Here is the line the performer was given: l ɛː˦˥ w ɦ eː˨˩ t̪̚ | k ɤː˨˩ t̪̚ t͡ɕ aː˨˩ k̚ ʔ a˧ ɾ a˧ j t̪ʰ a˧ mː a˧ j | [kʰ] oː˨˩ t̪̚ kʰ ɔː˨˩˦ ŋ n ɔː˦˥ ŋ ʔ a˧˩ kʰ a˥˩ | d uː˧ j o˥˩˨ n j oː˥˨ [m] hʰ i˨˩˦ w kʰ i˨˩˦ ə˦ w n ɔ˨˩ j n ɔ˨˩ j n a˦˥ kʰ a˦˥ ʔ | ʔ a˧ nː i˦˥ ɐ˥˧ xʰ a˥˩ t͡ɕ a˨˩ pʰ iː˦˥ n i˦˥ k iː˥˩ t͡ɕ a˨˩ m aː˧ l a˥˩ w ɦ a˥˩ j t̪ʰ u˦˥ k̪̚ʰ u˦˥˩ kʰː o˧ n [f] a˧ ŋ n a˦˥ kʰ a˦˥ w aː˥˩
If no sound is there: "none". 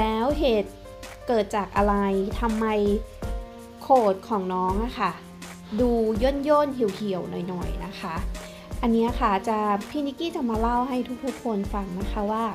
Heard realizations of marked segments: kʰ, n, f

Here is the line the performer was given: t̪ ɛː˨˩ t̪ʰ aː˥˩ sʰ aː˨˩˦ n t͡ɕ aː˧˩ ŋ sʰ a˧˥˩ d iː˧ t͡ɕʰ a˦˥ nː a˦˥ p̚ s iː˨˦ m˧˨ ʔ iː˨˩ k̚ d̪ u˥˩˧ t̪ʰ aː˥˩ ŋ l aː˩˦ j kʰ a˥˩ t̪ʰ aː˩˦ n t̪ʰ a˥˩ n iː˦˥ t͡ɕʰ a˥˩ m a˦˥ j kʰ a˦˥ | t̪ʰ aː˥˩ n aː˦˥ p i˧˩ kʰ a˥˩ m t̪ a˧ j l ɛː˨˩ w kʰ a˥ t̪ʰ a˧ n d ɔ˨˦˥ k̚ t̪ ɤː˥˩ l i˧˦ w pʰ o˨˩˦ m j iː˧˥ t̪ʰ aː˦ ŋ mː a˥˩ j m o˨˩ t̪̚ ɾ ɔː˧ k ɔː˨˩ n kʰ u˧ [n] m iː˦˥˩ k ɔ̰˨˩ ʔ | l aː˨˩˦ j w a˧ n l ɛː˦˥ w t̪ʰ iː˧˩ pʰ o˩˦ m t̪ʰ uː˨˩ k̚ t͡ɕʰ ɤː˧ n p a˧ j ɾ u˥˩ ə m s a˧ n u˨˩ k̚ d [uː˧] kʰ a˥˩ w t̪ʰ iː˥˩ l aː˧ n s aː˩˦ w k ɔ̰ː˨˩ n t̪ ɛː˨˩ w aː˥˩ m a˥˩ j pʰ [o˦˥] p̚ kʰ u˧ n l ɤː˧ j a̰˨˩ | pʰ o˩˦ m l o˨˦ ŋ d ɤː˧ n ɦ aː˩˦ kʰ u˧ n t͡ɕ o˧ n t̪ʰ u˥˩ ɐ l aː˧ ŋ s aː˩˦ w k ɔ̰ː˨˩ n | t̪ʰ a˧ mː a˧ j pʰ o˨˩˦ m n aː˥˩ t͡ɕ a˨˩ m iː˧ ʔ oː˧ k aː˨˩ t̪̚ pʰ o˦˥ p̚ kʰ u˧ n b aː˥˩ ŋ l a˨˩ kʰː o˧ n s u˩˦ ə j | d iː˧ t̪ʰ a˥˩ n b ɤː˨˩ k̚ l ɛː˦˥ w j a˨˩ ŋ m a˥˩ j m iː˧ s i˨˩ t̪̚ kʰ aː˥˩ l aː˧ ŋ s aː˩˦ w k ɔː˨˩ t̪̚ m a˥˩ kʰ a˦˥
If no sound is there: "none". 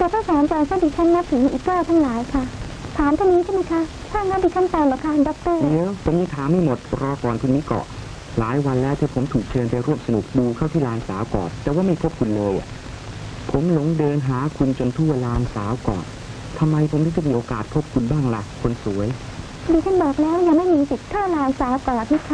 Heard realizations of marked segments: n, uː˧, o˦˥

